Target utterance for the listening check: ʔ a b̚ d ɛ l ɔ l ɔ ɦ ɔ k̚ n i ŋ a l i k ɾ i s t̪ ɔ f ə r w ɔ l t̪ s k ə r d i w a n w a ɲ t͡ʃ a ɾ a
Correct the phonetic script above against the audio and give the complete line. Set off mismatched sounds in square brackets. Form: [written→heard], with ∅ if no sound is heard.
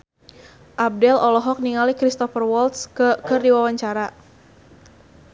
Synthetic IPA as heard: ʔ a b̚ d ɛ l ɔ l ɔ ɦ ɔ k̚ n i ŋ a l i k ɾ i s t̪ ɔ f ə r w ɔ l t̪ s k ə r d i w a [n→∅] w a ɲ t͡ʃ a ɾ a